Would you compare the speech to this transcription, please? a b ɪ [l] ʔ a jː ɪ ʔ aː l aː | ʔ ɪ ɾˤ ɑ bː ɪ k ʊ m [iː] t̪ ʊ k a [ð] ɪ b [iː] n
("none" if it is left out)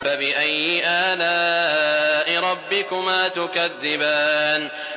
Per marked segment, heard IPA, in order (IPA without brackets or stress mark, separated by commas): none, aː, ðː, aː